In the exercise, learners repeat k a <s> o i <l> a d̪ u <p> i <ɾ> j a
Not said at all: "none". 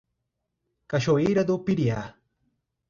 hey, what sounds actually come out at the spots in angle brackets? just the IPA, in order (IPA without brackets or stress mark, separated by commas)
ʃ, ɾ, p, ɾ